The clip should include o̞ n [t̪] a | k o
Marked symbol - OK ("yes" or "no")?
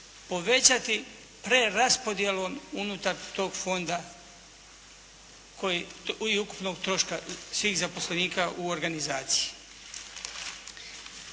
no